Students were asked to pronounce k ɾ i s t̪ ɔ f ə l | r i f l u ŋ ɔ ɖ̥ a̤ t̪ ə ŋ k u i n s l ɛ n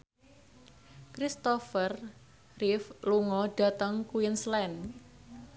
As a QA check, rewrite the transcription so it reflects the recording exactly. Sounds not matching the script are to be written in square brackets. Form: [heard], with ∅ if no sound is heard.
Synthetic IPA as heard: k ɾ i s t̪ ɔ f ə [r] | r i f l u ŋ ɔ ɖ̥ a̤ t̪ ə ŋ k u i n s l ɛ n